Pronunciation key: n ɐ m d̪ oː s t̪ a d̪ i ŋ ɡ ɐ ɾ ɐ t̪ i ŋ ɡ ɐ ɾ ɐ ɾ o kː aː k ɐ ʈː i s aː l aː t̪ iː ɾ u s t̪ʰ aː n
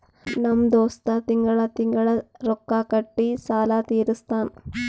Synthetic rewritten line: n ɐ m d̪ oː s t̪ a t̪ i ŋ ɡ ɐ ɭ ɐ t̪ i ŋ ɡ ɐ ɭ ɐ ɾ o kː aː k ɐ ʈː i s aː l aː t̪ iː ɾ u s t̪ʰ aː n